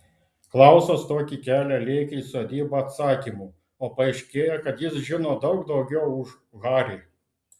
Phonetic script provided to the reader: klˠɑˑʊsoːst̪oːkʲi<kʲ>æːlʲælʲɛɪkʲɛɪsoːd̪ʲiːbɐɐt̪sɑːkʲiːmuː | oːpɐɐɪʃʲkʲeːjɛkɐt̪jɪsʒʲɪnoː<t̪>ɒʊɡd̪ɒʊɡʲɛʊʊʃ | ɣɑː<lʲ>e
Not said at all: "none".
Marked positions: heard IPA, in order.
kʲ, d̪, ɾʲ

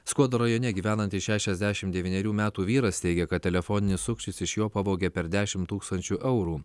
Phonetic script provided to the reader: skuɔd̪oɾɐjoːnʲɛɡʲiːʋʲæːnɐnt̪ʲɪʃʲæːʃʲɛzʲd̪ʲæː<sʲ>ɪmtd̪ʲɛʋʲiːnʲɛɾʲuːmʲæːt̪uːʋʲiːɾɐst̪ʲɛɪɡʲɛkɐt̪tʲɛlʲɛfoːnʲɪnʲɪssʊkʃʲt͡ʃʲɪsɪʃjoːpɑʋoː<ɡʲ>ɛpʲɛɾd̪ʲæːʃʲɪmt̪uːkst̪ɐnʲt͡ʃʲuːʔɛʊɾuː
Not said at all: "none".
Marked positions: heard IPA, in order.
ʃʲ, ɡʲ

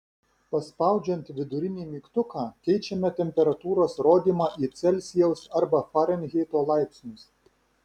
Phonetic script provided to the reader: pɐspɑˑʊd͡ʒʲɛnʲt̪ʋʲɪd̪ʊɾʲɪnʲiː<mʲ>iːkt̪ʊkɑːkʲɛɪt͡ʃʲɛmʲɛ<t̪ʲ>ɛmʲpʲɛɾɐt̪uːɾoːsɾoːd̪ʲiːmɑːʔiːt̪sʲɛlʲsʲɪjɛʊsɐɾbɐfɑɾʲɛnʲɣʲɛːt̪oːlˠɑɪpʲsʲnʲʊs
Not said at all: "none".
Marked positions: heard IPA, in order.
mʲ, t̪ʲ

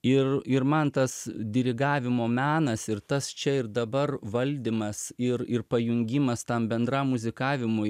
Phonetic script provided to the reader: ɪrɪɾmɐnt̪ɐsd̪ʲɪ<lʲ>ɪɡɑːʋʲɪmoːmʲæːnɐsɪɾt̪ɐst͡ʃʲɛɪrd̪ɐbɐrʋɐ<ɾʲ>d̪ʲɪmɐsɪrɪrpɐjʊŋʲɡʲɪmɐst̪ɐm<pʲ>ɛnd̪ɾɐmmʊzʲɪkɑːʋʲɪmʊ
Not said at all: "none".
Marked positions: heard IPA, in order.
ɾʲ, lʲ, bʲ

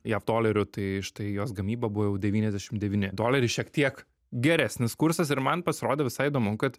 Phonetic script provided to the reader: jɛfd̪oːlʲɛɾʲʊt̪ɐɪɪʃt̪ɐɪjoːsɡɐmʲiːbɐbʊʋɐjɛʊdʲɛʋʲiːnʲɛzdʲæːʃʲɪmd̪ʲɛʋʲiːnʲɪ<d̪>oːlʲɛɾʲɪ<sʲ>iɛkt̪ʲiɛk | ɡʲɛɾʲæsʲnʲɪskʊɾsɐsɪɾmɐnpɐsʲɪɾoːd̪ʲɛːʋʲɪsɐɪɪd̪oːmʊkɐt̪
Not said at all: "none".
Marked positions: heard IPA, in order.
d̪, ʃʲ

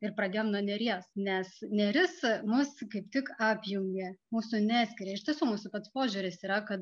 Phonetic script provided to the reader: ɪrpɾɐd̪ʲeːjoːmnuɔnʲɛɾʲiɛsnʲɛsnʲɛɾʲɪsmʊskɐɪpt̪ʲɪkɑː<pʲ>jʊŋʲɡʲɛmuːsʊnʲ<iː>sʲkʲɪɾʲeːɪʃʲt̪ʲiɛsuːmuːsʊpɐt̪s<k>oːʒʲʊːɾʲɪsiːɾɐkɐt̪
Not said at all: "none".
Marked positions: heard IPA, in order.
pʲ, æː, p

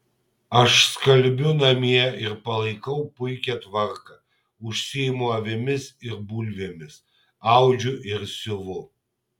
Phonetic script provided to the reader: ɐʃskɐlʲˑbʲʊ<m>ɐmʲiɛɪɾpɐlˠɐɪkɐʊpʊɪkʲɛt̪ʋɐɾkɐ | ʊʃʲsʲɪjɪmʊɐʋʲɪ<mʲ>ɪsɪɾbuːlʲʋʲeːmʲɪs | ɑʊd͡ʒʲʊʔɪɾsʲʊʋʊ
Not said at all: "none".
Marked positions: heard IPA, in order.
n, mʲ

